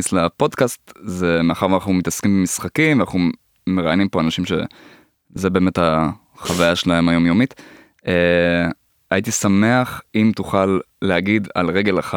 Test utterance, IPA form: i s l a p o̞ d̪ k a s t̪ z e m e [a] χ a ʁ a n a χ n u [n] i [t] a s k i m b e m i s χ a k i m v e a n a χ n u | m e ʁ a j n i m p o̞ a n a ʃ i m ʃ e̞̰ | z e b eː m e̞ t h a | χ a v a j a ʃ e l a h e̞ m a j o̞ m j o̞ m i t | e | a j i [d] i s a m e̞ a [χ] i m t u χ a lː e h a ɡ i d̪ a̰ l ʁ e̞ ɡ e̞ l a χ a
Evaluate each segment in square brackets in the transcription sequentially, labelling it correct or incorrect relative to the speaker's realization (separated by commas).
correct, incorrect, correct, incorrect, correct